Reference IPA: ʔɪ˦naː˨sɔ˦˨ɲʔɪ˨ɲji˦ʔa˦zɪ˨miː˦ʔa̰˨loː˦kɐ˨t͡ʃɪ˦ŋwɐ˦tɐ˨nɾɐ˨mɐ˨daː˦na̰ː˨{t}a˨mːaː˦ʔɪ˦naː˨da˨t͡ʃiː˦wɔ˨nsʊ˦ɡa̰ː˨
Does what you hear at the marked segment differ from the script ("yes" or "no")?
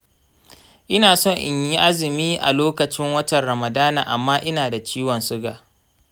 yes